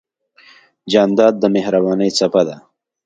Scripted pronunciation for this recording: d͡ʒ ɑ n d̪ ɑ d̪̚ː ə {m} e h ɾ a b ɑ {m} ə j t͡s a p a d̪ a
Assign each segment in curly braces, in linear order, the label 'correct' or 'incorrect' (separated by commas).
correct, incorrect